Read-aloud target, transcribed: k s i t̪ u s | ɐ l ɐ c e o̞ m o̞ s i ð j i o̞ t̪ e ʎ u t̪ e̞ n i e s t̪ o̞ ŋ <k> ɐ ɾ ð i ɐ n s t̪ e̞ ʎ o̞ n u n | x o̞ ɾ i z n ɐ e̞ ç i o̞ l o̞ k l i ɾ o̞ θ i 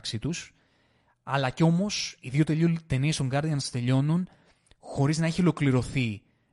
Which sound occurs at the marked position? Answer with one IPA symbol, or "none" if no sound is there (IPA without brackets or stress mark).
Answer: ɡ